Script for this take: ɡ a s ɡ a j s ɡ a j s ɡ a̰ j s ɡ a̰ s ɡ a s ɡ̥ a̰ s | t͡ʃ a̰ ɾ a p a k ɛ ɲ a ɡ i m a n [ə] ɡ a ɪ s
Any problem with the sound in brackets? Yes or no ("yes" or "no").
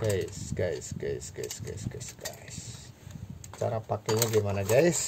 yes